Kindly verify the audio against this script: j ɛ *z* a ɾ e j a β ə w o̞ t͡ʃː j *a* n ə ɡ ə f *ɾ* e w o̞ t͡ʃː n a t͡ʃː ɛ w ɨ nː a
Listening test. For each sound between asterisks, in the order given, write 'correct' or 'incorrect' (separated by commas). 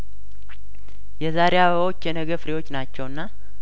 correct, incorrect, correct